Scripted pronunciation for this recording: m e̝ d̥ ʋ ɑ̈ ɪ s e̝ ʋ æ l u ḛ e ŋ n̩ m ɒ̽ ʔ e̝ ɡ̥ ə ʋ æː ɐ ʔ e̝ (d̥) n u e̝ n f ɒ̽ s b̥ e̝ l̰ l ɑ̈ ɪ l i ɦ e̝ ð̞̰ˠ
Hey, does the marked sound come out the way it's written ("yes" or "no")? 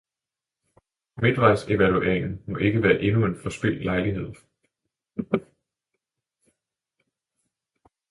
no